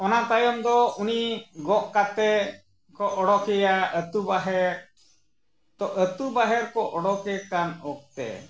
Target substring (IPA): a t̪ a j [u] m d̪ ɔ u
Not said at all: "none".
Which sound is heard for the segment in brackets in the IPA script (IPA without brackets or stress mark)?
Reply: ɔ